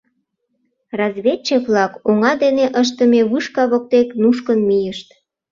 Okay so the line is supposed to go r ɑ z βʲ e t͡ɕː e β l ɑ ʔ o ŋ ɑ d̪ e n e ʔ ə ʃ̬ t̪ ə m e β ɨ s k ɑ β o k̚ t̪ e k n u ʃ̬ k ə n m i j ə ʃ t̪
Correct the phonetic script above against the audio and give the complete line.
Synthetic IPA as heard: r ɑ z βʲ e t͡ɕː e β l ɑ k o ŋ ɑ d̪ e n e ʔ ə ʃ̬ t̪ ə m e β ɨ ʃ k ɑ β o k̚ t̪ e k n u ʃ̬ k ə n m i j ə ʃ t̪